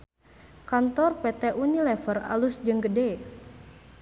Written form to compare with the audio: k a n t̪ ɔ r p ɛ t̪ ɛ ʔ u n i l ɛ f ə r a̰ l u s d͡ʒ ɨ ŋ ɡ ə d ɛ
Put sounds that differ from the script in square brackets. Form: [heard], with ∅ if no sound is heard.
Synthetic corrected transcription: k a n t̪ ɔ r p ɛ t̪ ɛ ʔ u n i l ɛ f ə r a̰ l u s d͡ʒ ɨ ŋ ɡ ə d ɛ